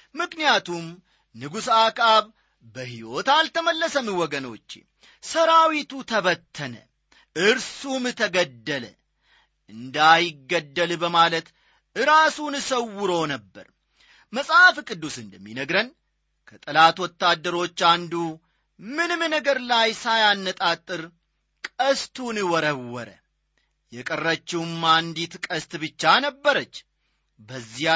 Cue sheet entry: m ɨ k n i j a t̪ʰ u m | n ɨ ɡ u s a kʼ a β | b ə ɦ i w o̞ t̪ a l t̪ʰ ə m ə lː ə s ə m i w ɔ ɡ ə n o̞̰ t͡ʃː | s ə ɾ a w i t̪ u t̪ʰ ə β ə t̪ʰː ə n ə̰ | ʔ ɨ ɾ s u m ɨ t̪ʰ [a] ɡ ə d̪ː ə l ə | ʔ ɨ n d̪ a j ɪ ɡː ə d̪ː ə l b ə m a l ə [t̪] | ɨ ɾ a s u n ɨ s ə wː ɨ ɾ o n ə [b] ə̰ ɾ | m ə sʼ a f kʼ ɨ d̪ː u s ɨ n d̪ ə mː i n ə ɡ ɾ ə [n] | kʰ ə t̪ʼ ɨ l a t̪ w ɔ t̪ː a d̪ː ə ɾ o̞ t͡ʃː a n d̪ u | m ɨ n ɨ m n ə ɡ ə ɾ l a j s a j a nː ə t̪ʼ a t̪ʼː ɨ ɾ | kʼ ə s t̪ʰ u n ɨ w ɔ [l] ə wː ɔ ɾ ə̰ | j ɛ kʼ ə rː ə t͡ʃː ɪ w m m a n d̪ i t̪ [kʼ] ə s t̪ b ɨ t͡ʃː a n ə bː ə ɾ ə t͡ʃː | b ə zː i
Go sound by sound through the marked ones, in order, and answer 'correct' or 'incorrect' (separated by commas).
incorrect, correct, incorrect, correct, incorrect, correct